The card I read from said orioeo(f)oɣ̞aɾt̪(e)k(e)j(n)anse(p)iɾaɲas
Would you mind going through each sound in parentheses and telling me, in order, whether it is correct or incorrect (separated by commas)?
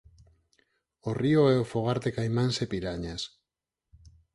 correct, correct, incorrect, incorrect, correct